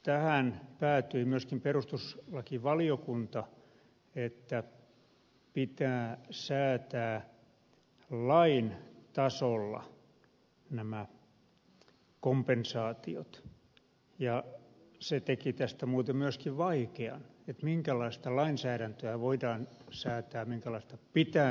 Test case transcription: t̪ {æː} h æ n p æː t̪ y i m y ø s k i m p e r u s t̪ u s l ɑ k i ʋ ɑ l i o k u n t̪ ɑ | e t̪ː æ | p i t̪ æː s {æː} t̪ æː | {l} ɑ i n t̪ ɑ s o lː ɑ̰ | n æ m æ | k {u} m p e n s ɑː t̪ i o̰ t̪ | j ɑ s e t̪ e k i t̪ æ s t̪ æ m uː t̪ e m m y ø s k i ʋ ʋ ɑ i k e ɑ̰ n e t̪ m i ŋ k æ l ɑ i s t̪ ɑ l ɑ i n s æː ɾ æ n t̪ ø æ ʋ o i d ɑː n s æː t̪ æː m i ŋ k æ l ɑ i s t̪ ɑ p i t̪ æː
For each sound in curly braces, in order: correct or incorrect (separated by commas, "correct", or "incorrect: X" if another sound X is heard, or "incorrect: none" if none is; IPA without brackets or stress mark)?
incorrect: æ, correct, correct, incorrect: o